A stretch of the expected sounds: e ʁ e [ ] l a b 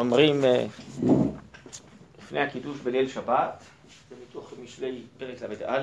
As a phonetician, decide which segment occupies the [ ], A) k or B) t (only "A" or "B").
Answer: A